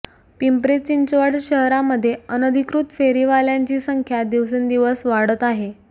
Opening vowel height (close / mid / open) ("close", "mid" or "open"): close